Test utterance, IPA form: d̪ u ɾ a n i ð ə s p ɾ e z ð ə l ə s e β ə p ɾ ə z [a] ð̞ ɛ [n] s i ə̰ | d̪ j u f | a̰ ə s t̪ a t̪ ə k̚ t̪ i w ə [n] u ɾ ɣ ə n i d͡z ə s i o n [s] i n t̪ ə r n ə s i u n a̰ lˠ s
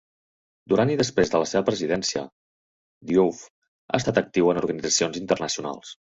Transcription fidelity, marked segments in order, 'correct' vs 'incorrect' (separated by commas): incorrect, correct, correct, incorrect